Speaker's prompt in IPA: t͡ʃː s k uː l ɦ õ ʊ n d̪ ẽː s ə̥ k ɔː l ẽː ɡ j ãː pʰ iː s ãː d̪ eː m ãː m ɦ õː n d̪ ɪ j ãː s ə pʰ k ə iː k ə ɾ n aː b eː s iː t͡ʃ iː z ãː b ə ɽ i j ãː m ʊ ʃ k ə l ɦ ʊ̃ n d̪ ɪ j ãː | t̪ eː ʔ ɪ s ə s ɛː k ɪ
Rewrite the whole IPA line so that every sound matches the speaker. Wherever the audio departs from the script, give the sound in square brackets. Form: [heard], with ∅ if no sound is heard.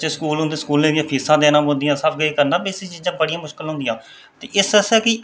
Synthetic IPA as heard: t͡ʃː s k uː l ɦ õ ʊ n d̪ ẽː s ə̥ k [uː] l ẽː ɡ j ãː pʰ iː s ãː d̪ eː [n] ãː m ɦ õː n d̪ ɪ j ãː s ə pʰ [ɡ] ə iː k ə ɾ n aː b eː s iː t͡ʃ iː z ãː b ə ɽ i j ãː m ʊ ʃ k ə l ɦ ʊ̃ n d̪ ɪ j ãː | t̪ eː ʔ ɪ s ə s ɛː k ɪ

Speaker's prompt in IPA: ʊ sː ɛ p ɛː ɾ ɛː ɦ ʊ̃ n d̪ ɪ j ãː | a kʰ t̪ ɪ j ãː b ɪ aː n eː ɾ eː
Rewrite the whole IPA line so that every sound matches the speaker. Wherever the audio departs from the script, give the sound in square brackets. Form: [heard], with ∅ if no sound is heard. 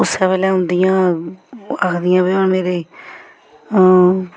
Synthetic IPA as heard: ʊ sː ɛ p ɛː [l] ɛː ɦ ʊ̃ n d̪ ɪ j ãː | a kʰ [d̪] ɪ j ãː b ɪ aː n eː ɾ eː

